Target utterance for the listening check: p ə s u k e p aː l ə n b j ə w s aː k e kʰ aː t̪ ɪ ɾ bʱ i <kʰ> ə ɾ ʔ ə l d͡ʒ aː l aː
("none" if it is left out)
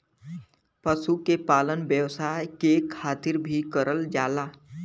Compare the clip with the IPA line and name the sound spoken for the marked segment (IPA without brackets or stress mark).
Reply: k